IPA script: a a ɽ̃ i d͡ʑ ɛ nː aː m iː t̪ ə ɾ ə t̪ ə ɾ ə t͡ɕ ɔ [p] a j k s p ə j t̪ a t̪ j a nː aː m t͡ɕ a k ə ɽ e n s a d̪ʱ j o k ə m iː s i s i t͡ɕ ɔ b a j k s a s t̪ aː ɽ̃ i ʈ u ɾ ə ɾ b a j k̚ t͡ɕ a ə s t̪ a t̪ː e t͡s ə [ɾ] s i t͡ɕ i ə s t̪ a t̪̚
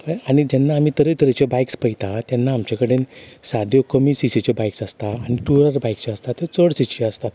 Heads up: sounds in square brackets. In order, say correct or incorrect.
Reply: incorrect, incorrect

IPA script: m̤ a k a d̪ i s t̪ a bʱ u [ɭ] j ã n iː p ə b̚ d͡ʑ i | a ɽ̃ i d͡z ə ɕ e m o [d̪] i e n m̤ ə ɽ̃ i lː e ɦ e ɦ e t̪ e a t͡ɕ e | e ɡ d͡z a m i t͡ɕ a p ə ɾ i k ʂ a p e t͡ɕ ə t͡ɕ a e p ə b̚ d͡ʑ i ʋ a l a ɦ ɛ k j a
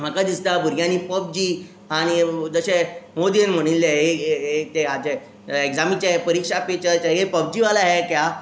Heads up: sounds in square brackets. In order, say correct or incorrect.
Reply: incorrect, correct

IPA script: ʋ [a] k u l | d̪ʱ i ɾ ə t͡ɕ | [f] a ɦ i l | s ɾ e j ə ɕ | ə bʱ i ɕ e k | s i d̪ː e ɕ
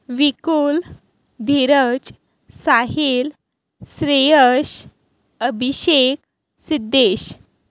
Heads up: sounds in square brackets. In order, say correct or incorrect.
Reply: incorrect, incorrect

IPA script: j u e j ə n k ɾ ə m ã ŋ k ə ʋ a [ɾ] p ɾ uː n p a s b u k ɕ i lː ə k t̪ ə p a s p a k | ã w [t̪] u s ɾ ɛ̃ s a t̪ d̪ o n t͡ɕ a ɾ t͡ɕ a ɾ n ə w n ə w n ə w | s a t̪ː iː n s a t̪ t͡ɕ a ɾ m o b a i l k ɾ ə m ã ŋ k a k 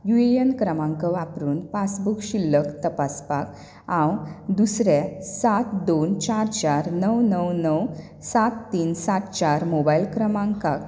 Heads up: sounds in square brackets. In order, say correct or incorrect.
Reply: incorrect, incorrect

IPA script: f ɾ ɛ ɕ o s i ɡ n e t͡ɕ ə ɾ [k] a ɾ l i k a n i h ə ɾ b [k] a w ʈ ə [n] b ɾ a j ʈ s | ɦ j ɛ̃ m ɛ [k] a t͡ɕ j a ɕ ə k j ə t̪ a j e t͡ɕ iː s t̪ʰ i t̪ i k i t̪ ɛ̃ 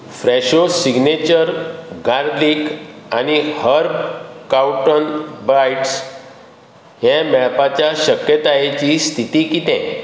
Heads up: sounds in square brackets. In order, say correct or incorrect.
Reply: incorrect, correct, correct, incorrect

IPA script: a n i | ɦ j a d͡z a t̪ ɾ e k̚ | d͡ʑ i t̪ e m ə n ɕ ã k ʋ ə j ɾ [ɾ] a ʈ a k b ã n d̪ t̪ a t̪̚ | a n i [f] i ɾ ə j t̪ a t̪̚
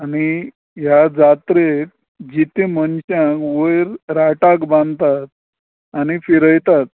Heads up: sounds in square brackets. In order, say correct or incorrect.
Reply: correct, correct

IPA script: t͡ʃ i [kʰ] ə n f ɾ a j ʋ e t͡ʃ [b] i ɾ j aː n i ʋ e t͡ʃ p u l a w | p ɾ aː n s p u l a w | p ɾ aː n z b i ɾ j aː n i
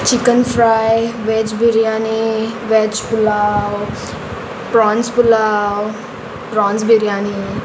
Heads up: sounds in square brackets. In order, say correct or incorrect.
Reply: incorrect, correct

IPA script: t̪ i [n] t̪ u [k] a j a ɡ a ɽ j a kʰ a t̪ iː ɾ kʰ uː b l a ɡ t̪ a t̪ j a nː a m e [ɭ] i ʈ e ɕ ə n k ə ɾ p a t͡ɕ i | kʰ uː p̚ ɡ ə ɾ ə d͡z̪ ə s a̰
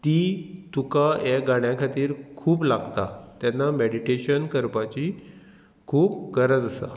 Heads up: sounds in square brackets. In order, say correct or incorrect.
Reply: incorrect, correct, incorrect

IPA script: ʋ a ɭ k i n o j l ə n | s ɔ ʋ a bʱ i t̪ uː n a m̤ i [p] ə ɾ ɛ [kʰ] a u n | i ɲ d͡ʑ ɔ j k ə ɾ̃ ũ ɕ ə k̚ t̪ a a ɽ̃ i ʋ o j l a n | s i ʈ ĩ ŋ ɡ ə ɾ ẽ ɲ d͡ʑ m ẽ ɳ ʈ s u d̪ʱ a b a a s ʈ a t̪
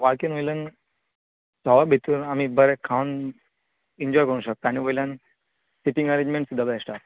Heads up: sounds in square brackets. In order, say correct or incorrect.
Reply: incorrect, correct

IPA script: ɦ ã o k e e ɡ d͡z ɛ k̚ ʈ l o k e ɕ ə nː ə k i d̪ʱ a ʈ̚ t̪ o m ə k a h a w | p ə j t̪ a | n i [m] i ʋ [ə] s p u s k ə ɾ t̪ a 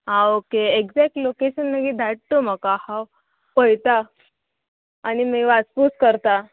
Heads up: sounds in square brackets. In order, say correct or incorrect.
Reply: correct, incorrect

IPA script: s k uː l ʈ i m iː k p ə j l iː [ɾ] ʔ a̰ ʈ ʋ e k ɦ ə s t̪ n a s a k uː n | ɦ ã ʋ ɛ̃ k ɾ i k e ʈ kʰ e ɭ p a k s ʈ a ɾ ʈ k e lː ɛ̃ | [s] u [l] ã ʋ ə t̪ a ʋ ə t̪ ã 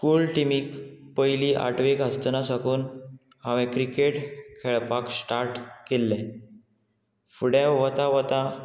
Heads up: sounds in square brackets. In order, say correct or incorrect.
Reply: incorrect, incorrect, incorrect

